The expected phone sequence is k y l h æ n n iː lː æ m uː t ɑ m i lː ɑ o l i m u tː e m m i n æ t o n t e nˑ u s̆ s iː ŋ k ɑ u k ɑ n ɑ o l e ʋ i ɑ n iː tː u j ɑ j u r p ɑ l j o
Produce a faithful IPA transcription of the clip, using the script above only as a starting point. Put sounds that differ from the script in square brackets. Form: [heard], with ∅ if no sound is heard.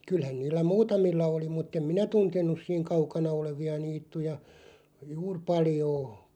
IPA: k y l h æ n n iː lː æ m uː t ɑ m i lː ɑ o l i m u tː e m m i n æ t [u] n t e nˑ u s̆ s iː ŋ k ɑ u k ɑ n ɑ o l e ʋ i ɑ n iː tː u j ɑ j [uː] r p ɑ l j [oː]